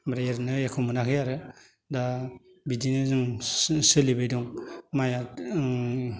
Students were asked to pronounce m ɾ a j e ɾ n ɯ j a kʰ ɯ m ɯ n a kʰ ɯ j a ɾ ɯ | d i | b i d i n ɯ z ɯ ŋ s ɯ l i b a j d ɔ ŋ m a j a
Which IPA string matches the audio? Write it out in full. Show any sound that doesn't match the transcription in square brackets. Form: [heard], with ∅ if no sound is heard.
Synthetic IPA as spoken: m ɾ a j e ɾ n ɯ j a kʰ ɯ m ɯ n a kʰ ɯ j a ɾ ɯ | d [a] | b i d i n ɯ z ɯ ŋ s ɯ l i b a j d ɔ ŋ m a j a